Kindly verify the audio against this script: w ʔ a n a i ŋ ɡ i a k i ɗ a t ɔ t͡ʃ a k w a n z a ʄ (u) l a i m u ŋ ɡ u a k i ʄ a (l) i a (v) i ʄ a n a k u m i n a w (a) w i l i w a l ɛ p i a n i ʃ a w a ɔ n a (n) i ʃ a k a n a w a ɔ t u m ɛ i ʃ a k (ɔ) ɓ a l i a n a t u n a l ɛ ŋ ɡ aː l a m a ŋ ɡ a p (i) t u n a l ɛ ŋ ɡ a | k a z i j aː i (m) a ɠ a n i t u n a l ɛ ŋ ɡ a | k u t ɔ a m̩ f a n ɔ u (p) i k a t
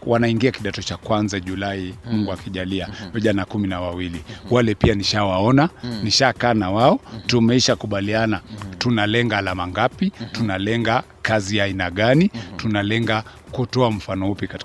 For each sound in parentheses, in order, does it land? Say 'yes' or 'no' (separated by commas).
yes, yes, yes, yes, yes, no, yes, no, yes